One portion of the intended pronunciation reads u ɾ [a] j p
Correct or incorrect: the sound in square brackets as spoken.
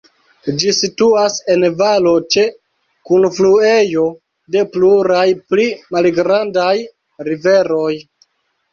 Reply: correct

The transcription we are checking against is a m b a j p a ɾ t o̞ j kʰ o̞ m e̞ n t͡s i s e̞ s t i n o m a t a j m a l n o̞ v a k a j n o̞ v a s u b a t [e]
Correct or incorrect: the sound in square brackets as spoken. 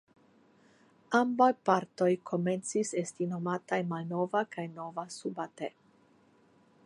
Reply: correct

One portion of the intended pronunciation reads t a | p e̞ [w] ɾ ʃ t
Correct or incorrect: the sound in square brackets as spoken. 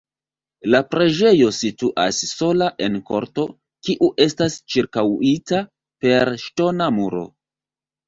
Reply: incorrect: none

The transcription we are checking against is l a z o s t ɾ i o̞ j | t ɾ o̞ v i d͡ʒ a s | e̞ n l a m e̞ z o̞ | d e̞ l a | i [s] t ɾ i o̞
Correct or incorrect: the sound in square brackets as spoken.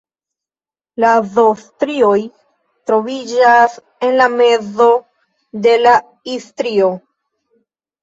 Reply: correct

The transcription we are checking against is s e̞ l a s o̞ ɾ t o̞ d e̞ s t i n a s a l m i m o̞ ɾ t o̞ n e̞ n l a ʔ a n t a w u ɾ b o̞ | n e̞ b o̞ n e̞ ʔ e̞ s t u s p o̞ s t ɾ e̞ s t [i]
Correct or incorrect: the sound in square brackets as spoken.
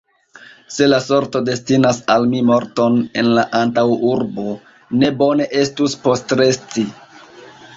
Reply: correct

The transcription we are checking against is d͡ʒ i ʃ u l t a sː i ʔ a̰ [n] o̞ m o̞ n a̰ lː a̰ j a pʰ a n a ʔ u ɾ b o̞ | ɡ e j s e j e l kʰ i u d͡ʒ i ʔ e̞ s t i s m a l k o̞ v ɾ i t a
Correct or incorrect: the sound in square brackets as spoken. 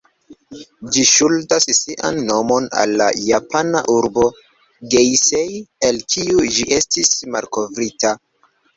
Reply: incorrect: nː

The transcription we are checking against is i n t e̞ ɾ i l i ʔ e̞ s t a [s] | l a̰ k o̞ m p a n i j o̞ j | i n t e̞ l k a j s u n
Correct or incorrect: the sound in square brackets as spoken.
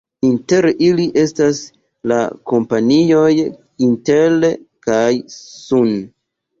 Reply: correct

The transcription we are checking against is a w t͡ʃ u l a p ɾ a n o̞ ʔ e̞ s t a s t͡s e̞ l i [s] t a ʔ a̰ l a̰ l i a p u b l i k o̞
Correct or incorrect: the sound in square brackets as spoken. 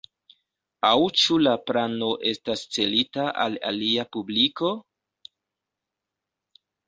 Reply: incorrect: none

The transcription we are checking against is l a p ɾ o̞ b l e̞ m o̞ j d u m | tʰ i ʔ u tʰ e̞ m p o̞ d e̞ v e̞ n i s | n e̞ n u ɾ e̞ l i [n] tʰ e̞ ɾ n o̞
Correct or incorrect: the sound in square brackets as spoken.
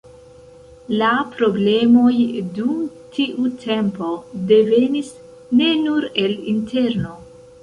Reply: correct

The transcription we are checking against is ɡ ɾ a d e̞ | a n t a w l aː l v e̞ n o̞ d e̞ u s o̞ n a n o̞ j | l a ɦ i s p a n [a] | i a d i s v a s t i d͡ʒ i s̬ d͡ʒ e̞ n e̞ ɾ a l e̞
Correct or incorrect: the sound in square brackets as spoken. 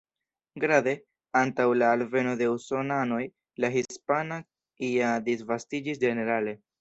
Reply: correct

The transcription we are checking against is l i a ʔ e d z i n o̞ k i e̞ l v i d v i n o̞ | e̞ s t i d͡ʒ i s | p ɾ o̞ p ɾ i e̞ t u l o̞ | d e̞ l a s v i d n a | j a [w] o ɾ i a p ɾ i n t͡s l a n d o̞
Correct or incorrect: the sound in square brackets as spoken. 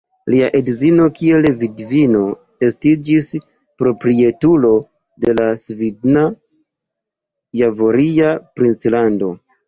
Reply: incorrect: v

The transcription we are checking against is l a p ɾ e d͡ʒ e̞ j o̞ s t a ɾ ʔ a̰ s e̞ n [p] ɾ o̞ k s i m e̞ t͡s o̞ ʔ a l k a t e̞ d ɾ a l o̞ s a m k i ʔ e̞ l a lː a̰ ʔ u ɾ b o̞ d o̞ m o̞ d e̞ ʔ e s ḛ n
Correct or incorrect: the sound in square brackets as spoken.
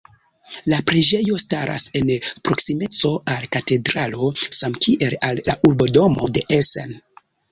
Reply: correct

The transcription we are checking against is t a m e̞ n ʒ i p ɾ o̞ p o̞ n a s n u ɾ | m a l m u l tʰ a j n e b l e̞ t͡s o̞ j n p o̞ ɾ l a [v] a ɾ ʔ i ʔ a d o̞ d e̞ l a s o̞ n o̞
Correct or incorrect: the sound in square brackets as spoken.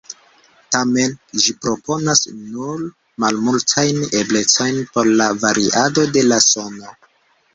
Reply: correct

